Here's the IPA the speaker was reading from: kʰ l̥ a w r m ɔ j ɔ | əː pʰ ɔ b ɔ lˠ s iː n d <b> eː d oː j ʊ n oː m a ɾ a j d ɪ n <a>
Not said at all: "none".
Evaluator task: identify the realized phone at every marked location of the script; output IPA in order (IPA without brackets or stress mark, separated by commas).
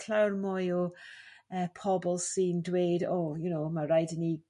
w, i